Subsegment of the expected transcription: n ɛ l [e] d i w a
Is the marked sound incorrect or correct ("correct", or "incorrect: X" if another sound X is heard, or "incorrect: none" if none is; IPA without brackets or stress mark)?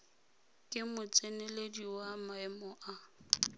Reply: correct